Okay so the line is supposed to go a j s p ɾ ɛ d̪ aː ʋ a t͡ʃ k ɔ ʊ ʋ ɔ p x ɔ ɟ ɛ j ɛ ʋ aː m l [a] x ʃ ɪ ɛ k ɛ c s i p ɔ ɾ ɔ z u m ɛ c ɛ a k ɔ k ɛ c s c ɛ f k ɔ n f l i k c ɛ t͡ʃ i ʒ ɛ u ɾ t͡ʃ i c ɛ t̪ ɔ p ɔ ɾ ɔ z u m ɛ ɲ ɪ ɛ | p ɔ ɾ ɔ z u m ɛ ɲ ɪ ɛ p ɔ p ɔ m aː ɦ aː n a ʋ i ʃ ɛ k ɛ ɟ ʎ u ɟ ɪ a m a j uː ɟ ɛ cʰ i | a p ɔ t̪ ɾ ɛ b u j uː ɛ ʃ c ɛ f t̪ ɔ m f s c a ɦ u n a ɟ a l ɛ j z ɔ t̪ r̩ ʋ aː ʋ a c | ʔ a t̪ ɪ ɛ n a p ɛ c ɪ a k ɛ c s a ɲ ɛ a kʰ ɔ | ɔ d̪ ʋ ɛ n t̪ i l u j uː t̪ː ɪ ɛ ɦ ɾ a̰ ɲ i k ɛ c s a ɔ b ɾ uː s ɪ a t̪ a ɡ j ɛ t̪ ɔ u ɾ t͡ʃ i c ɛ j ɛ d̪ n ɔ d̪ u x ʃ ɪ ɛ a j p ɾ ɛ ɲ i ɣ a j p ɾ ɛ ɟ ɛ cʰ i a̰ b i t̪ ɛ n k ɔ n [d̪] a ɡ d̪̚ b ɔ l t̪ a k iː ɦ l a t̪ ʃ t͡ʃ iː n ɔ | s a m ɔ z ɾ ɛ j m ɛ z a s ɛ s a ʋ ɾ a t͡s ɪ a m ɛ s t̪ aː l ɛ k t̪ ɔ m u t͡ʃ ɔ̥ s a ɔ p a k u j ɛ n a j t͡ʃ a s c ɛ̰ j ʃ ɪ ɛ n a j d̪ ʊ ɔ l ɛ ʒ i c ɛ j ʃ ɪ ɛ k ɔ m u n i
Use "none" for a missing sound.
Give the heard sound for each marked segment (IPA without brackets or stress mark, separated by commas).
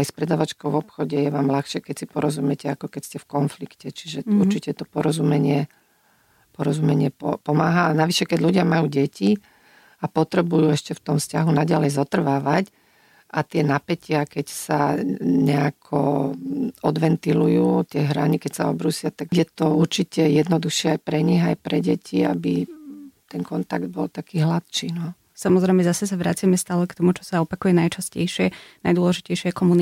a, t̪